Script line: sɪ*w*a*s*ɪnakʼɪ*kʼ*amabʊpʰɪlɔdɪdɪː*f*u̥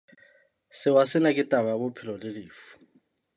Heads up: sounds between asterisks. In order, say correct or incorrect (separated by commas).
correct, correct, incorrect, correct